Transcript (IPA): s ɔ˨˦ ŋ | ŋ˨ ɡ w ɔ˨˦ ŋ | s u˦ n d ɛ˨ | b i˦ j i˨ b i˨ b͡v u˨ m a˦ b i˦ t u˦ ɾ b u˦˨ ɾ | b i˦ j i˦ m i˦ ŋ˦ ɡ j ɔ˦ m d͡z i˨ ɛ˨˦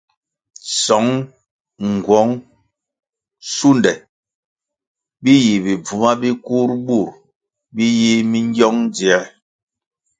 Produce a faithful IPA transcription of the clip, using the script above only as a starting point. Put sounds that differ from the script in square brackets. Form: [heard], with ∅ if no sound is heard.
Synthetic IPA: s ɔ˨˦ ŋ | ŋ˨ ɡ w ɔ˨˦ ŋ | s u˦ n d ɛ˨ | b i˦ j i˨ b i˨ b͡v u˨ m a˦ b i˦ [k] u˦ ɾ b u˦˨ ɾ | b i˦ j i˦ m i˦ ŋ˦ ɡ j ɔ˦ [ŋ] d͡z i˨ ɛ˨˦